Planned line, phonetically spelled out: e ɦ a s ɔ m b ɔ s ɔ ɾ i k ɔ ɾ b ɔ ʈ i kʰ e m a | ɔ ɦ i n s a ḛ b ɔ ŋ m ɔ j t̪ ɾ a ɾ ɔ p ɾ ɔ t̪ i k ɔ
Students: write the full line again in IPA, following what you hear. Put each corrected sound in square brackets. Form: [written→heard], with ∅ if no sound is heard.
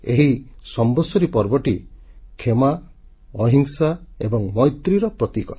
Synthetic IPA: e ɦ [a→i] s ɔ m b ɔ s ɔ ɾ i [k→p] ɔ ɾ b ɔ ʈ i kʰ e m a | ɔ ɦ i [n→ŋ] s a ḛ b ɔ ŋ m ɔ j t̪ ɾ [a→i] ɾ ɔ p ɾ ɔ t̪ i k ɔ